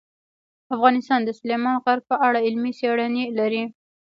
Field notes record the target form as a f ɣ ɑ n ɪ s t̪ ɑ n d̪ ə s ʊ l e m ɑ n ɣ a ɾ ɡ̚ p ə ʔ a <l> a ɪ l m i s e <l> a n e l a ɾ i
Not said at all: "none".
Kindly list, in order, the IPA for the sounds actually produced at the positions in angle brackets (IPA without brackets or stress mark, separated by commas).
ɽ, ɽ